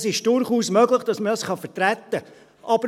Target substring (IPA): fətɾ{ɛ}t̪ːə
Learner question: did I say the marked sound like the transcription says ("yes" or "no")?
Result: no